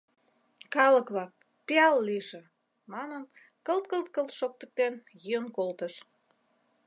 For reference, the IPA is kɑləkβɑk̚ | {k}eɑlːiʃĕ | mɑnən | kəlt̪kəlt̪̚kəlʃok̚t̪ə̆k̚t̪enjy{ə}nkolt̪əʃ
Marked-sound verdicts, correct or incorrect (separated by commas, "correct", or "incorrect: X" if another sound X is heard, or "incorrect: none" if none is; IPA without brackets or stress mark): incorrect: p, correct